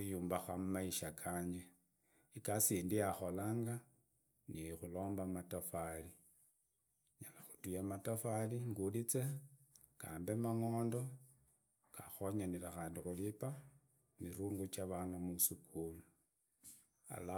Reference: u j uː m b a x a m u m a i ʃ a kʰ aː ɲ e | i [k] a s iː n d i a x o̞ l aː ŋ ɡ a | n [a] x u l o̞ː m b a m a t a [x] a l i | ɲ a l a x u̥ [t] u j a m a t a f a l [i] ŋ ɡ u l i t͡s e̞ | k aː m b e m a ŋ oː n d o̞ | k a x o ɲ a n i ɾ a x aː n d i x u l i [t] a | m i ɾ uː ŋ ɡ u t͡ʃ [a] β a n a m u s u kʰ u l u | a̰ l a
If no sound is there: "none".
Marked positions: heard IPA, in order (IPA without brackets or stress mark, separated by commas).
k, i, f, t, i, p, a